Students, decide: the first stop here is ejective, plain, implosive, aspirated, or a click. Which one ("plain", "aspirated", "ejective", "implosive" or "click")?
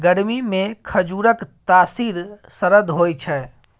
plain